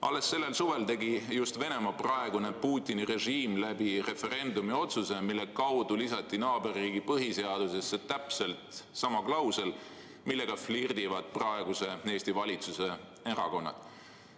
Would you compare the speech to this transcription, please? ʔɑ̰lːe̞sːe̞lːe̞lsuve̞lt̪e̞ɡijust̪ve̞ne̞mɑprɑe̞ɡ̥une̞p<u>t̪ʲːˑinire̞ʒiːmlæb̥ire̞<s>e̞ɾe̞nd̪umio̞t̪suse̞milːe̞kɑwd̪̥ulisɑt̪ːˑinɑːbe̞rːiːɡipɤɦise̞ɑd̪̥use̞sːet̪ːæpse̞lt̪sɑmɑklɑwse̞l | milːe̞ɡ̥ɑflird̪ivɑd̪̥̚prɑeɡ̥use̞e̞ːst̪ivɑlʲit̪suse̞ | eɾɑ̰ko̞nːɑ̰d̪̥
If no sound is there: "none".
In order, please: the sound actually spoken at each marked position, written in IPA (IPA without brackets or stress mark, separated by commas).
uː, f